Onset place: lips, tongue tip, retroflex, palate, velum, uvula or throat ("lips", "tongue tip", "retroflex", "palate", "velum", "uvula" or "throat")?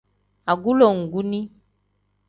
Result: velum